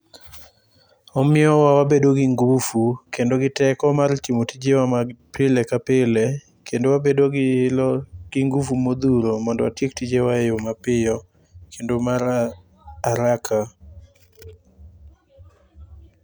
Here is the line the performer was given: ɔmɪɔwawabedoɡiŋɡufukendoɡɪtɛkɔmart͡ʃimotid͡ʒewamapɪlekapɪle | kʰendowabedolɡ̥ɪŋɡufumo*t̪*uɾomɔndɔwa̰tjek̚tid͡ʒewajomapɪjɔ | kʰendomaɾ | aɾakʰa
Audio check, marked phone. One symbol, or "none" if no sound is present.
d̪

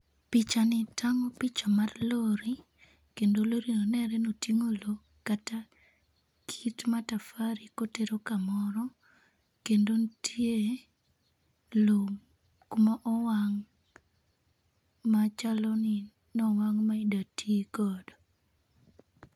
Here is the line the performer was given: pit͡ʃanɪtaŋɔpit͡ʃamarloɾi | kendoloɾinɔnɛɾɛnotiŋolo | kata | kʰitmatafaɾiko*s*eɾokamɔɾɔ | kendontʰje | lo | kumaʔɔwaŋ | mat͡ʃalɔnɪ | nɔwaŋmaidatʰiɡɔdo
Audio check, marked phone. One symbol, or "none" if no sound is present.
t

